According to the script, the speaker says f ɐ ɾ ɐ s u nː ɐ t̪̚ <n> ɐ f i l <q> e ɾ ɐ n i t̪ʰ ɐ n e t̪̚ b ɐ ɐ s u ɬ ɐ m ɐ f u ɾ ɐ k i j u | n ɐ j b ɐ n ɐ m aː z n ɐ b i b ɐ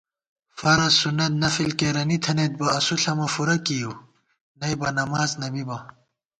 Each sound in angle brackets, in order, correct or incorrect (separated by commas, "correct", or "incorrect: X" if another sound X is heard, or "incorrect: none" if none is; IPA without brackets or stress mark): correct, incorrect: k